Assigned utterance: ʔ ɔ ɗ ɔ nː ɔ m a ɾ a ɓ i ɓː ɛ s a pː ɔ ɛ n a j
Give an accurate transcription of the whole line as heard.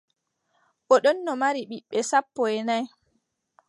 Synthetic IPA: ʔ ɔ ɗ ɔ nː ɔ m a ɾ i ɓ i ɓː ɛ s a pː ɔ ɛ n a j